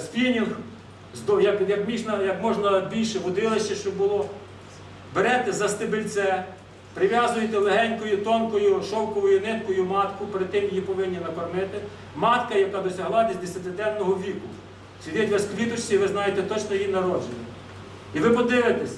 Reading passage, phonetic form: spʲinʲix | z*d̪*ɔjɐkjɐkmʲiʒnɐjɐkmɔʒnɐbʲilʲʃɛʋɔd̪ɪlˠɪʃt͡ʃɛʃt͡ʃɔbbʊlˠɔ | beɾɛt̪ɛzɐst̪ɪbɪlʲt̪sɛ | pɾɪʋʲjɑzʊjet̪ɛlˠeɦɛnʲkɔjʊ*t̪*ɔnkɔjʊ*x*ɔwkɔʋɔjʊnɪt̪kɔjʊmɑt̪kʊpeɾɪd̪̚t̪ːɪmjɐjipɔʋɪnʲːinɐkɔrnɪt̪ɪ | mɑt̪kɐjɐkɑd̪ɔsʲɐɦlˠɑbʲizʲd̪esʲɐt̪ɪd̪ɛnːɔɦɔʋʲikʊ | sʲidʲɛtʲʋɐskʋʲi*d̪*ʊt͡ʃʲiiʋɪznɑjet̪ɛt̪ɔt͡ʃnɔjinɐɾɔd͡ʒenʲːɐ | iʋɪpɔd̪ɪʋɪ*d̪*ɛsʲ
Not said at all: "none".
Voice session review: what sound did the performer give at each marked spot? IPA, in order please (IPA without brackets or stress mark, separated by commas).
d̪, t̪, ʃ, t̪, t̪